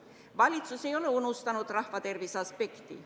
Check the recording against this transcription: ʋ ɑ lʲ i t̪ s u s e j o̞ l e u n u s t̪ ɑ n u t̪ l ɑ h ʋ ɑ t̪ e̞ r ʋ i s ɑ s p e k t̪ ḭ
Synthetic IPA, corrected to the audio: ʋ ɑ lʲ i t̪ s u s e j o̞ l e u n u s t̪ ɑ n u t̪ r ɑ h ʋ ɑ t̪ e̞ r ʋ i s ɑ s p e k t̪ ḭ